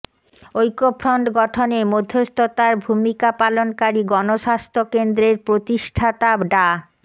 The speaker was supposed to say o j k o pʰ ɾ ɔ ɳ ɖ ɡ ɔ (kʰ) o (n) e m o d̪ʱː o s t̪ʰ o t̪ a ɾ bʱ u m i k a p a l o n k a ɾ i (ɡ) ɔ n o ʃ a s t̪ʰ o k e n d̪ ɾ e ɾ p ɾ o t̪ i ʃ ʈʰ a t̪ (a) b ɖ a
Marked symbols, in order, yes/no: no, yes, yes, yes

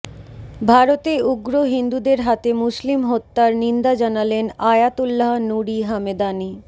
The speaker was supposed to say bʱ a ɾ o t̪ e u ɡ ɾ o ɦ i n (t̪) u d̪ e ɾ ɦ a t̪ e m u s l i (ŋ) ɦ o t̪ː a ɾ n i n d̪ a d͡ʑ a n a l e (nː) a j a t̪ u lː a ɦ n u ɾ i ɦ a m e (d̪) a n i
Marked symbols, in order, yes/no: no, no, no, yes

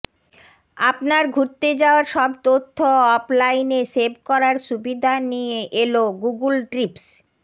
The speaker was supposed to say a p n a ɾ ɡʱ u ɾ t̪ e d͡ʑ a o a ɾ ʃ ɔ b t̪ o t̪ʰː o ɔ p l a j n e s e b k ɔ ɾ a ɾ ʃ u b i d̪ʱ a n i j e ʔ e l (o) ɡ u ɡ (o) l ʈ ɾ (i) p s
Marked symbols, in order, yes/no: yes, no, yes

